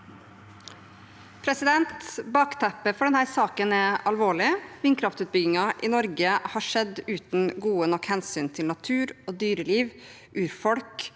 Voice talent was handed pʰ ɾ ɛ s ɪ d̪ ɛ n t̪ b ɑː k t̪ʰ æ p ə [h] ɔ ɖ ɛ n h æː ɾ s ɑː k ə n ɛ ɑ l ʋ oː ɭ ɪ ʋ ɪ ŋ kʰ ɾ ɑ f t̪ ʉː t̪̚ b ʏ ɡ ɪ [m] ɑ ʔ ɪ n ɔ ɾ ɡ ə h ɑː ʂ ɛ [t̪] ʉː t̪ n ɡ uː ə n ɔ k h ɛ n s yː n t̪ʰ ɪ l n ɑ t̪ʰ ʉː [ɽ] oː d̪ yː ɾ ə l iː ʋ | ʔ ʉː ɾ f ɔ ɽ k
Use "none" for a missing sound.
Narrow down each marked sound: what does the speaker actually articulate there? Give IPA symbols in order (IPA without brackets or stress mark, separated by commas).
f, ŋ, d̪, ɾ